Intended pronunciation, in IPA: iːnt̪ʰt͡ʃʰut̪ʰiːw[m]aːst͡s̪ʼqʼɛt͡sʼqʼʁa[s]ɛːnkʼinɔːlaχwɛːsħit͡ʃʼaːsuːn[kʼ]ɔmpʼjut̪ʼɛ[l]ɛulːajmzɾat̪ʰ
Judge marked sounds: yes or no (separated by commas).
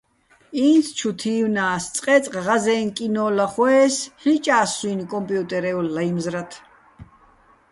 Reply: no, no, yes, no